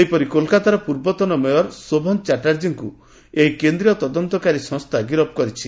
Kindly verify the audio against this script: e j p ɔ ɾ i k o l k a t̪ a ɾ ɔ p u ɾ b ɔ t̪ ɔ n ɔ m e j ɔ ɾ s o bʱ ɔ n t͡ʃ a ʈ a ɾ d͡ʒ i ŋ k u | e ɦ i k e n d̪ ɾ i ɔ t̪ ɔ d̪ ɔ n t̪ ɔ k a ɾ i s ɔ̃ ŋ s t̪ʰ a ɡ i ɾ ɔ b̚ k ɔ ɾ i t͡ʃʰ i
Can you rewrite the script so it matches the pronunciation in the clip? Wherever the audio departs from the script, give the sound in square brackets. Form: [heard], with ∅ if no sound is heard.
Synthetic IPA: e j p ɔ ɾ i k o l k a t̪ a ɾ ɔ p u ɾ b ɔ t̪ ɔ n ɔ m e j ɔ ɾ s o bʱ ɔ n t͡ʃ a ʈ a ɾ d͡ʒ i ŋ k u | e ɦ i k e n d̪ ɾ i ɔ t̪ ɔ d̪ ɔ n t̪ ɔ k a ɾ i s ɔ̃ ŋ s t̪ʰ a ɡ i ɾ ɔ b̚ k ɔ ɾ i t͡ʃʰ i

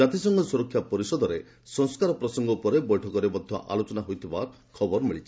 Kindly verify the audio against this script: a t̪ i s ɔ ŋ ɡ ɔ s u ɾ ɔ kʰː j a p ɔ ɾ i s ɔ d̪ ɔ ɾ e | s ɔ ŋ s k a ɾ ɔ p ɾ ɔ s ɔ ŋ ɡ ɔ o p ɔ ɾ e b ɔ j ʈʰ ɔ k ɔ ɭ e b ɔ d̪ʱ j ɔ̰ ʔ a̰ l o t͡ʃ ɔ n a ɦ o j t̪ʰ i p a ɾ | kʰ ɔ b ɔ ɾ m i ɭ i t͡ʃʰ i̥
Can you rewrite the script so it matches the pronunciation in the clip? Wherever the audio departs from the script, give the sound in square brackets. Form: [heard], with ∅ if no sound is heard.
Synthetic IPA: a t̪ i s ɔ ŋ ɡ ɔ s u ɾ ɔ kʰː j a p ɔ ɾ i s ɔ d̪ ɔ ɾ e | s ɔ ŋ s k a ɾ ɔ p ɾ ɔ s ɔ ŋ ɡ ɔ [u] p ɔ ɾ e b ɔ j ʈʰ ɔ k ɔ [ɾ] e b ɔ d̪ʱ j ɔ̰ ʔ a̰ l o t͡ʃ ɔ n a ɦ o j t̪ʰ i [b] a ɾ | kʰ ɔ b ɔ ɾ m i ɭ i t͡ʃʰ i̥

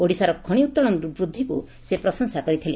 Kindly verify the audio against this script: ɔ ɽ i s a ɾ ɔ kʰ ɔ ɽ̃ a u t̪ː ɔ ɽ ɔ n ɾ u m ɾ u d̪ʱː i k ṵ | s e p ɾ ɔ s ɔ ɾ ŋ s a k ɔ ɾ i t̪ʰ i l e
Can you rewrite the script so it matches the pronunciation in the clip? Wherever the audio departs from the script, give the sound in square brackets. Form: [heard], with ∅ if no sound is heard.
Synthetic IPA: [o] ɽ i s a ɾ ɔ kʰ ɔ ɽ̃ [i] u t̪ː ɔ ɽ ɔ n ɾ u [b] ɾ u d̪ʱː i k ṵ | s e p ɾ ɔ s ɔ [∅] ŋ s a k ɔ ɾ i t̪ʰ i l e

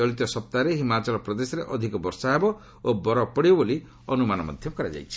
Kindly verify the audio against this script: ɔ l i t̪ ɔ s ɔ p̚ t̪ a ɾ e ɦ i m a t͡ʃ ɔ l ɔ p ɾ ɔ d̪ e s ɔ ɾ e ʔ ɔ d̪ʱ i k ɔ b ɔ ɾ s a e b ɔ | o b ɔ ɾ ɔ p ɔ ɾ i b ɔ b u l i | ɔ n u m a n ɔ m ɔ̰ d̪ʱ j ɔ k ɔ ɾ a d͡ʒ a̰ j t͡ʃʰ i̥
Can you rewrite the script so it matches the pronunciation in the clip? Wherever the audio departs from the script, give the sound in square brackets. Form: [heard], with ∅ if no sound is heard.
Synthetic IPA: ɔ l i t̪ ɔ s ɔ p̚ t̪ a ɾ e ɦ i m a t͡ʃ ɔ l ɔ p ɾ ɔ d̪ e s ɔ ɾ e ʔ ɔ d̪ʱ i k ɔ b ɔ ɾ s a e b ɔ | o b ɔ ɾ ɔ p ɔ [ɽ] i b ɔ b [o] l i | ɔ n u m a n ɔ m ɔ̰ d̪ʱ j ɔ k ɔ ɾ a d͡ʒ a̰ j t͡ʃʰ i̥

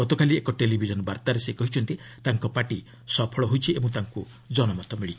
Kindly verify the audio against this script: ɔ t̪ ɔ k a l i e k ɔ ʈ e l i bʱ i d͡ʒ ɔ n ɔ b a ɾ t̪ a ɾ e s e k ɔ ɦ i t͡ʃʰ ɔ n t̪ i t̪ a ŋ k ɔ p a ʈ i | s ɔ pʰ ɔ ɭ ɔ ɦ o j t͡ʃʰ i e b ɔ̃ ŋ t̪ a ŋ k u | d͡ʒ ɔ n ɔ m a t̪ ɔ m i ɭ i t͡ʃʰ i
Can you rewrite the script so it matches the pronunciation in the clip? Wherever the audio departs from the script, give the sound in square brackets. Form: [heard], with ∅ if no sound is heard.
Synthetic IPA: ɔ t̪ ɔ k a l i e k ɔ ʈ e l i bʱ i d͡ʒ ɔ n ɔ b a ɾ t̪ a ɾ e s e k ɔ ɦ i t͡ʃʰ ɔ n t̪ i t̪ a ŋ k ɔ p a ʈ i | s ɔ pʰ ɔ ɭ ɔ ɦ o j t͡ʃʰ i e b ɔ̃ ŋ t̪ a ŋ k u | d͡ʒ ɔ n ɔ m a t̪ ɔ m i ɭ i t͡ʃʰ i

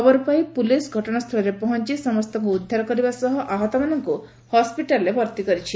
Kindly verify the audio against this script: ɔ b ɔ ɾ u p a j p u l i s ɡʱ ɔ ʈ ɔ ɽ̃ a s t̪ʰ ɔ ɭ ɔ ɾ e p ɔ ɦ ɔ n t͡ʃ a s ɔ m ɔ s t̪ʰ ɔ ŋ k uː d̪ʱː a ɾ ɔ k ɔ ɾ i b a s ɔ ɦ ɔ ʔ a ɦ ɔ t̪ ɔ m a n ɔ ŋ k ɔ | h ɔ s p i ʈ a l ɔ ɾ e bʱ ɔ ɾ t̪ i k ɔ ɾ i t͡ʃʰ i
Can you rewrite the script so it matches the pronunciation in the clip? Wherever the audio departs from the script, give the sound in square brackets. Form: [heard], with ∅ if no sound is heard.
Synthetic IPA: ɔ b ɔ ɾ u p a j p u l i s ɡʱ ɔ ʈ ɔ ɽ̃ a s t̪ʰ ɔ [l] ɔ ɾ e p ɔ ɦ ɔ n t͡ʃ [i] s ɔ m ɔ s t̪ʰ ɔ ŋ k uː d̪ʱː a ɾ ɔ k ɔ ɾ i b a s ɔ ɦ ɔ ʔ a ɦ ɔ t̪ ɔ m a n ɔ ŋ k [u] | h ɔ s p i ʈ a l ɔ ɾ e bʱ ɔ ɾ t̪ i k ɔ ɾ i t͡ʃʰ i

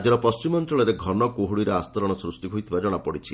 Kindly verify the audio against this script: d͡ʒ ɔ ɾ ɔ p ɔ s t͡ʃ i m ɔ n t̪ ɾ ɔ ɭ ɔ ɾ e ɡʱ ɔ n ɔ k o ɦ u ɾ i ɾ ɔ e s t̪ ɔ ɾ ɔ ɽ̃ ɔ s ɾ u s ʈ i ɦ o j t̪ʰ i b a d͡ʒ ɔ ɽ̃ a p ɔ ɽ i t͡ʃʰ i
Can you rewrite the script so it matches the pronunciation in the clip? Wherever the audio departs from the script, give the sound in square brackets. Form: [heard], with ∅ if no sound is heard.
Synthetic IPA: d͡ʒ ɔ ɾ ɔ p ɔ s t͡ʃ i m ɔ n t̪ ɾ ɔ ɭ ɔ ɾ e ɡʱ ɔ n ɔ k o ɦ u [ɽ] i ɾ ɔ [a] s t̪ ɔ ɾ ɔ ɽ̃ ɔ s ɾ u s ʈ i ɦ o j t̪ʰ i b a d͡ʒ ɔ ɽ̃ a p ɔ ɽ i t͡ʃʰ i

